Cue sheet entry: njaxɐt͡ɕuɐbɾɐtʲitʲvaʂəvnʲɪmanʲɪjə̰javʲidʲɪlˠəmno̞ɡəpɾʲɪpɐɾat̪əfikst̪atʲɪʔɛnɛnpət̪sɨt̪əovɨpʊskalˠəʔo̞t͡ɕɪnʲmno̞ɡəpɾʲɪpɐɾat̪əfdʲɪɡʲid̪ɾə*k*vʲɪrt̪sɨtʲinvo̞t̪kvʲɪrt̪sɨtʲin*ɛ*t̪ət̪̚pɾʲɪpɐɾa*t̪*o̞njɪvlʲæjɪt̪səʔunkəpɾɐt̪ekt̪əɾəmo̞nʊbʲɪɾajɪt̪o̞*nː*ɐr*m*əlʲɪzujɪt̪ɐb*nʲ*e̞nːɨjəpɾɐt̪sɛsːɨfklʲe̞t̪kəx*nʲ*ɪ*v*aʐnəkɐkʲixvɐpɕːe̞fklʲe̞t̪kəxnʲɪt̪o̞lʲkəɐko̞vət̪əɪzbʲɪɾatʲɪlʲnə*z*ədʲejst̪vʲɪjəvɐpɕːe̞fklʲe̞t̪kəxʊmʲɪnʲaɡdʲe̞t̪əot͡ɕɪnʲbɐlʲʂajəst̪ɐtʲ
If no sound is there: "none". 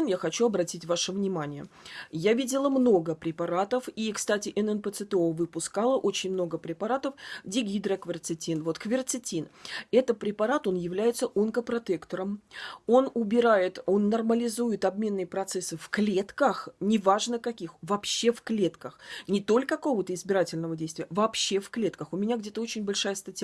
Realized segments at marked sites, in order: k, ɛ, t̪, nː, m, mʲ, nʲ, v, v

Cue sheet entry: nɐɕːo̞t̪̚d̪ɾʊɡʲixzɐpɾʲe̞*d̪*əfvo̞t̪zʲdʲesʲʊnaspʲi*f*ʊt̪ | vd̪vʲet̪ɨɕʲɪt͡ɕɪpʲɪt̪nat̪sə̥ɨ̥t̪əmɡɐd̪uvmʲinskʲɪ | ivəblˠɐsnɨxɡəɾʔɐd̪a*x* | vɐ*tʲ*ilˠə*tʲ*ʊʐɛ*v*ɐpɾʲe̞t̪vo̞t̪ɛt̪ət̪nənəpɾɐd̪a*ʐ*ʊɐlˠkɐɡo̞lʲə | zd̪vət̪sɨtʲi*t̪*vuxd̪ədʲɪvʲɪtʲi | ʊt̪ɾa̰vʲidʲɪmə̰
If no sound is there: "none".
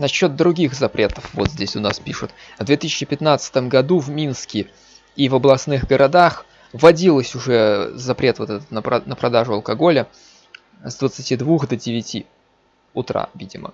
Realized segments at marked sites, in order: t̪, ʂ, x, dʲ, sʲ, z, ʐ, d̪

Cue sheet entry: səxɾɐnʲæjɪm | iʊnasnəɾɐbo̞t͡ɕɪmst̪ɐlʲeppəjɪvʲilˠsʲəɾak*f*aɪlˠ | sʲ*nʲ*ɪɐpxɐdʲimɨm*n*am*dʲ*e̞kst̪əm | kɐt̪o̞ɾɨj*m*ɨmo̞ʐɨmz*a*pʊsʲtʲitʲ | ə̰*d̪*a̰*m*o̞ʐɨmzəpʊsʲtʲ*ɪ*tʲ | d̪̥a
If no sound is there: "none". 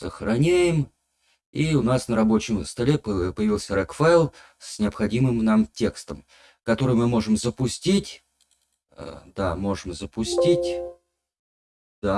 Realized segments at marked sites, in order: f, nʲ, n, tʲ, m, ə, d̪, m, i

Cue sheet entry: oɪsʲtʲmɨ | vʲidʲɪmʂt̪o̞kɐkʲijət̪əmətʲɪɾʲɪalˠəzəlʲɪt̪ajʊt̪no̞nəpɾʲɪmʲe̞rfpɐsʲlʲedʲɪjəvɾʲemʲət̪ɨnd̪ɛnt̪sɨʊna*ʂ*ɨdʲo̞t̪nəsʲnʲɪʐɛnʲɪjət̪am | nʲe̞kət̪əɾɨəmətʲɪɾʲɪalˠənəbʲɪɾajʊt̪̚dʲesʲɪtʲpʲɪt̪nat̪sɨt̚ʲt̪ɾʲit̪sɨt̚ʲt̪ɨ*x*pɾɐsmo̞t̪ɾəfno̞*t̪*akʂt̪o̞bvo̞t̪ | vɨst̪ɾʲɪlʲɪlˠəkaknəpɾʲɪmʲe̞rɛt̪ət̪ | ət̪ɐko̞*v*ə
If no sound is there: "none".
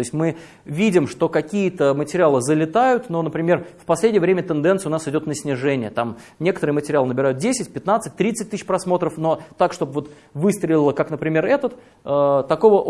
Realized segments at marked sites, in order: s, ɕ, t̪, v

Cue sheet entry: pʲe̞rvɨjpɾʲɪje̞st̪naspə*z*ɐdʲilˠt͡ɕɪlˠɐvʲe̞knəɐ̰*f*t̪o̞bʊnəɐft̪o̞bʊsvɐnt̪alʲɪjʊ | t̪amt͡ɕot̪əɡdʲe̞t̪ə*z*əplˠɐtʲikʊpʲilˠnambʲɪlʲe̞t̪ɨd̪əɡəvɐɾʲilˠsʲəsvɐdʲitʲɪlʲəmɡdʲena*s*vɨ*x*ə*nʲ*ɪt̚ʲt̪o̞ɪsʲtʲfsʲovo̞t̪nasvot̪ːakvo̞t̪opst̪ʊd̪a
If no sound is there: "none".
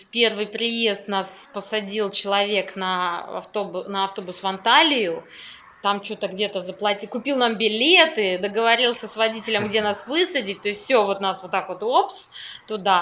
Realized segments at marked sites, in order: s, f, z, s, s, dʲ

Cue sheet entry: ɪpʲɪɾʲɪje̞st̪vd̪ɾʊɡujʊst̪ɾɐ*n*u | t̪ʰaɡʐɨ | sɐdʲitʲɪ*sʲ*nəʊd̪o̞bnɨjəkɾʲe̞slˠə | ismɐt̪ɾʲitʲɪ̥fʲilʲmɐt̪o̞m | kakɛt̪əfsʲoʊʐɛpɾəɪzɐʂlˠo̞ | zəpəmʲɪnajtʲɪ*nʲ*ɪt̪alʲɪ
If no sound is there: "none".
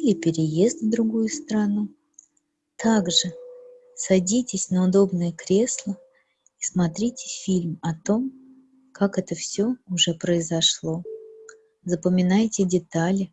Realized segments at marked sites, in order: n, sʲ, dʲ

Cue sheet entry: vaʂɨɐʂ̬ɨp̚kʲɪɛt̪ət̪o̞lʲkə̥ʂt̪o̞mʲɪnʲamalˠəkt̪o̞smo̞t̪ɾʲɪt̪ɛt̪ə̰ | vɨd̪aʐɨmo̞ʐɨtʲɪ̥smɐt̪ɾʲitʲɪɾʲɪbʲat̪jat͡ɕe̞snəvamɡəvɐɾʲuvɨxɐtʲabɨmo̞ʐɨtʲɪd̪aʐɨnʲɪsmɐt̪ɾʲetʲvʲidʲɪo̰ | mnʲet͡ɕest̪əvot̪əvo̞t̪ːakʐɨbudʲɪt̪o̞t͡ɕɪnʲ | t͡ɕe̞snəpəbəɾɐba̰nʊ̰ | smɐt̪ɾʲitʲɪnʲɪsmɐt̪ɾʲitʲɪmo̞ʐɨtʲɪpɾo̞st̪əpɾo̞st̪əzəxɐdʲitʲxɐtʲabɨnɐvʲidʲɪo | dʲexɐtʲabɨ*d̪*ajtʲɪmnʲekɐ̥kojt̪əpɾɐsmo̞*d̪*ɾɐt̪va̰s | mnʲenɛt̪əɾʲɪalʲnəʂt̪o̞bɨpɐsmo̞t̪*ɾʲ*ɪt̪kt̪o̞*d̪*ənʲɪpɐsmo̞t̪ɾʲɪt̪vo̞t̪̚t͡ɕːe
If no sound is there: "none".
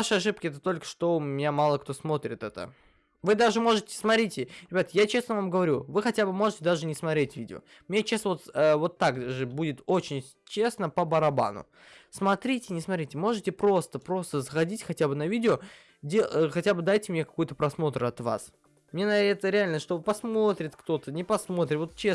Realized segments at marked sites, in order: d̪, t̪, ɾʲ, t̪

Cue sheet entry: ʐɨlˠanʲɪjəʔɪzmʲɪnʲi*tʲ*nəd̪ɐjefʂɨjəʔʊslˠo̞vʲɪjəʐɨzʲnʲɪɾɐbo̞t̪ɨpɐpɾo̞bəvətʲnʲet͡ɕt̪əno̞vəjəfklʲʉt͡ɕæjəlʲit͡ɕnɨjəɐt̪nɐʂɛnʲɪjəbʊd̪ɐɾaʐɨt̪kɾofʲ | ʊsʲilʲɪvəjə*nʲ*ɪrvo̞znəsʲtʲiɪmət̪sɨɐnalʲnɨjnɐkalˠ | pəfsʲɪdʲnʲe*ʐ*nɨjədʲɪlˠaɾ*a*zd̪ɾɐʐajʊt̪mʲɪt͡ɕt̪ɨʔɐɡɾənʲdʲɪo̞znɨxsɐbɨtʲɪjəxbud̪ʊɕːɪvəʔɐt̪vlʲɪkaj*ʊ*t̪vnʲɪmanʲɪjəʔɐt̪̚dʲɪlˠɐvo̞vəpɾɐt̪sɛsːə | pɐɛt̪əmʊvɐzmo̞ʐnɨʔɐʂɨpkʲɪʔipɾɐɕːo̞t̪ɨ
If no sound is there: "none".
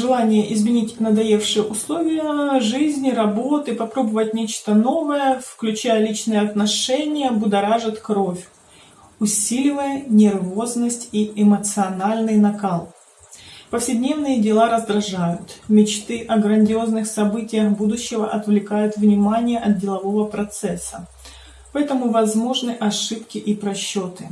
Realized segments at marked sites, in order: tʲ, nʲ, v, ə, ʊ

